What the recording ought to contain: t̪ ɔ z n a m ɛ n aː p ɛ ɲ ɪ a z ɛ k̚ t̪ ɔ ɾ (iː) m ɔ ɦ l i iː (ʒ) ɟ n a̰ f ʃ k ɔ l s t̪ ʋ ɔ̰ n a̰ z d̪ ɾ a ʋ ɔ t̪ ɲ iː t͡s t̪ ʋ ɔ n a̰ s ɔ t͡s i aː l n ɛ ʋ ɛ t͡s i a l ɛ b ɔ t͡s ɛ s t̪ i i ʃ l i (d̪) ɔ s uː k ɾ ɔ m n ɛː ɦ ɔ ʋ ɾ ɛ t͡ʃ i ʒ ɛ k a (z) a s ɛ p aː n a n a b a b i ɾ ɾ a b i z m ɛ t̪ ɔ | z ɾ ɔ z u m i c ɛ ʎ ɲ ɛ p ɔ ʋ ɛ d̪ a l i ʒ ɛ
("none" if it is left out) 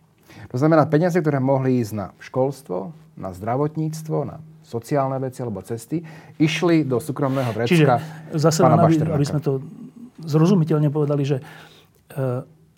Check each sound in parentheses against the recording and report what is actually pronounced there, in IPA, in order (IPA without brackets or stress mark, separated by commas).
ɛː, z, d̪, z